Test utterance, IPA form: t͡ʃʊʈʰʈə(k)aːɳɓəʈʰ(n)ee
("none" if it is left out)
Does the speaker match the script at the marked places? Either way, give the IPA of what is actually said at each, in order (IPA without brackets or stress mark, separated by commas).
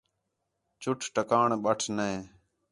k, n